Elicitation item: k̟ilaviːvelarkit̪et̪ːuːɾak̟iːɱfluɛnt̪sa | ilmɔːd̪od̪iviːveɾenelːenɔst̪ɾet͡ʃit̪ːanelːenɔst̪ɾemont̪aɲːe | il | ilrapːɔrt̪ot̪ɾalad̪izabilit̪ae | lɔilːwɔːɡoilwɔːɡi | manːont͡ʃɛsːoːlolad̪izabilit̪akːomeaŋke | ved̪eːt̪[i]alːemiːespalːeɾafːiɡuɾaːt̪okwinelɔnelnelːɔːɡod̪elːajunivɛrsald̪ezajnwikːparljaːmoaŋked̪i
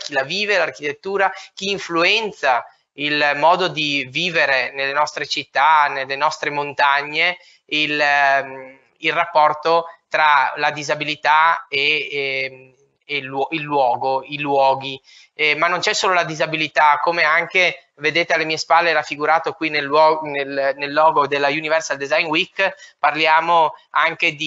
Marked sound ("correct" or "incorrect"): incorrect